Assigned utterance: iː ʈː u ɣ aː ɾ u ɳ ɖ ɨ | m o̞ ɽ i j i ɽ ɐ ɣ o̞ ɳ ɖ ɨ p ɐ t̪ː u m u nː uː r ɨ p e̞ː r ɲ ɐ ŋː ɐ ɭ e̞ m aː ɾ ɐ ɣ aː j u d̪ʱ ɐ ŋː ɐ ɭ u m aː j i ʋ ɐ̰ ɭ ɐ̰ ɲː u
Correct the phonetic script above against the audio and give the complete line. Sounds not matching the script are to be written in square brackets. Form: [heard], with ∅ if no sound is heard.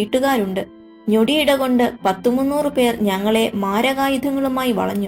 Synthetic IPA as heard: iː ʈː u ɣ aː ɾ u ɳ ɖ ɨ | [ɲ] o̞ ɽ i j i ɽ ɐ ɣ o̞ ɳ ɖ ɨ p ɐ t̪ː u m u nː uː r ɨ p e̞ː r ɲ ɐ ŋː ɐ ɭ e̞ m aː ɾ ɐ ɣ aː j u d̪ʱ ɐ ŋː ɐ ɭ u m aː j i ʋ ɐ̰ ɭ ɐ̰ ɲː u